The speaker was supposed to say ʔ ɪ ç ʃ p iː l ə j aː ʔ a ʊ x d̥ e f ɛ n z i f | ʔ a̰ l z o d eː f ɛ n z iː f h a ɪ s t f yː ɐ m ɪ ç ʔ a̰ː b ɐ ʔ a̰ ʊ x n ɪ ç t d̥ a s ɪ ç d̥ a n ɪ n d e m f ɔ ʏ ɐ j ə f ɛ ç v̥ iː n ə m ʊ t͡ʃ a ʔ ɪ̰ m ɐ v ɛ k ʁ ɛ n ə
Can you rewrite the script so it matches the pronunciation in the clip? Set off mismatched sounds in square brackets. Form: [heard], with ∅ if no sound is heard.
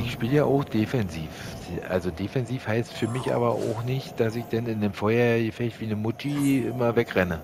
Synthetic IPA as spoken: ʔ ɪ ç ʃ p iː l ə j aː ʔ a ʊ x d̥ e f ɛ n z [iː] f | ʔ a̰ l z o d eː f ɛ n z iː f h a ɪ s t f yː ɐ m ɪ ç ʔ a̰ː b ɐ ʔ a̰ ʊ x n ɪ ç t d̥ a s ɪ ç d̥ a n ɪ n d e m f ɔ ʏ ɐ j ə f ɛ ç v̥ iː n ə m ʊ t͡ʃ [i] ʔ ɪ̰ m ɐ v ɛ k ʁ ɛ n ə